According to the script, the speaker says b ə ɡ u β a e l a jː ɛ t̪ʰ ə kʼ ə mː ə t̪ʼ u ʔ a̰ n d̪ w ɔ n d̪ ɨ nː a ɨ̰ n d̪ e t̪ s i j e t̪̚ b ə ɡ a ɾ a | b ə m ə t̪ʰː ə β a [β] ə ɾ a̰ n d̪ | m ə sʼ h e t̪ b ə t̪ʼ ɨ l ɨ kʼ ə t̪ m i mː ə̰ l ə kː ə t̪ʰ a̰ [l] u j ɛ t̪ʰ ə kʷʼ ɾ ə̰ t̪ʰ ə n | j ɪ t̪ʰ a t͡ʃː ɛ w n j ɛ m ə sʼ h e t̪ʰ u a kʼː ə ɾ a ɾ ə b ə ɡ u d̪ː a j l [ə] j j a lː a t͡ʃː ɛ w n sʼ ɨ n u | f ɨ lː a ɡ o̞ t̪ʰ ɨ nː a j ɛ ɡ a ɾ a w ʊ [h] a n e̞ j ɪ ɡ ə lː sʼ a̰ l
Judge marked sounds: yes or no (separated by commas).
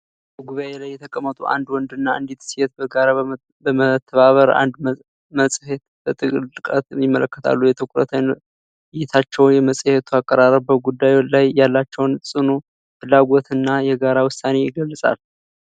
yes, no, no, no